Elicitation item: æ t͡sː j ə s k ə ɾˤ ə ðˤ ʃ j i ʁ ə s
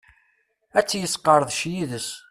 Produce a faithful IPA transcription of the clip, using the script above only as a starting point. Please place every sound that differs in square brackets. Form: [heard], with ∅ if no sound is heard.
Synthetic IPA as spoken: æ t͡sː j ə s [q] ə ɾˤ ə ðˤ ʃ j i [ð] ə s

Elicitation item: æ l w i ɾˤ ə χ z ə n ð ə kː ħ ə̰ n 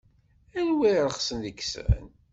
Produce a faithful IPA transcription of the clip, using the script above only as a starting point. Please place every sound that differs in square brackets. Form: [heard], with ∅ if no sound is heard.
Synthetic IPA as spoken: æ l w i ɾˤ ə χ [s] ə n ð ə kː [s] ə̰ n

